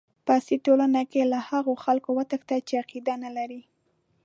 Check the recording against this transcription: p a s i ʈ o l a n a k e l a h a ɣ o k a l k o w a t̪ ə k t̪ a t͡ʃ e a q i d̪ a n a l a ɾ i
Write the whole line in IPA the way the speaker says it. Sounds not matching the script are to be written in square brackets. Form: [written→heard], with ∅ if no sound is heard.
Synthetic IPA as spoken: p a s i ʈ o l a n a k e l a h a ɣ o [k→x] a l k o w a t̪ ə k t̪ a t͡ʃ e a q i d̪ a n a l a ɾ i